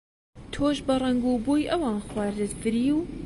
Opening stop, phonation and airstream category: aspirated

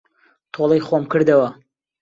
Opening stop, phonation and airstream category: aspirated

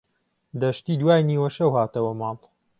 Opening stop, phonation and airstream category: plain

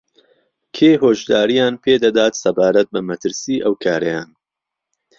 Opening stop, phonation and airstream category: aspirated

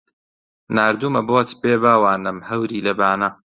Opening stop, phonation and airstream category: plain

